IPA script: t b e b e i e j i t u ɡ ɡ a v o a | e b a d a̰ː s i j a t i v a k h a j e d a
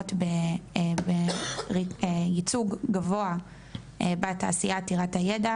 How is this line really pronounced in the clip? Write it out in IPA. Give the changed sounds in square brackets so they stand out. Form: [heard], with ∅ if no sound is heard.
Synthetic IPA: t b e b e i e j i [t͡s] u ɡ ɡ a v o a | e b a [t] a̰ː s i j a t i [ʁ] a [t] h a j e d a